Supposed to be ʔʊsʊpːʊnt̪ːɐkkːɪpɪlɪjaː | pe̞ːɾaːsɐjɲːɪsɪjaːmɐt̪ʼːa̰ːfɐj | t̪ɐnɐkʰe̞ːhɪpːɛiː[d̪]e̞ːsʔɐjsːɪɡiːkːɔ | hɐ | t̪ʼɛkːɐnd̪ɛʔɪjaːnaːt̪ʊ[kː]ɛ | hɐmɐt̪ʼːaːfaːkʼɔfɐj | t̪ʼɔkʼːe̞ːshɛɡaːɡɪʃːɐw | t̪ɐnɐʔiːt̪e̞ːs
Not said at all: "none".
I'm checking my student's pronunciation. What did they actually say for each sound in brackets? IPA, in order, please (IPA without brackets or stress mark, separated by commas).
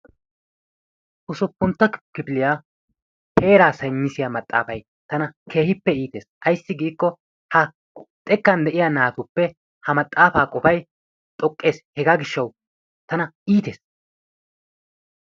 t̪, pː